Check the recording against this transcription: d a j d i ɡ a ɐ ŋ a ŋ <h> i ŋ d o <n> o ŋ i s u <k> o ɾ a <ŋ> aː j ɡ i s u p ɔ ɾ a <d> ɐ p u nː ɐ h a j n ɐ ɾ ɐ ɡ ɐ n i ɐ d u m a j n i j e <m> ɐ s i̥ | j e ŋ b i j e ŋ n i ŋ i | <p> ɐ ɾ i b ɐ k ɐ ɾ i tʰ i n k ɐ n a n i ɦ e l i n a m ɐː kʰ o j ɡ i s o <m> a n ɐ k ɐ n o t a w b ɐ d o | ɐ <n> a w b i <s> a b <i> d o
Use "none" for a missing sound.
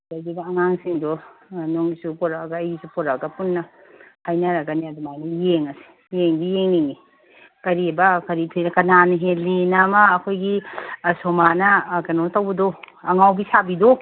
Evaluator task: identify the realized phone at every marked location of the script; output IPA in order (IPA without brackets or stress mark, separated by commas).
s, n, p, ɡ, ɡ, ŋ, k, m, ŋ, s, i